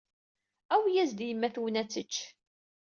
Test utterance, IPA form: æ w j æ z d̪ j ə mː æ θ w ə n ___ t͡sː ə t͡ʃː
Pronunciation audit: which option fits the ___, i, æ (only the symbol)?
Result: æ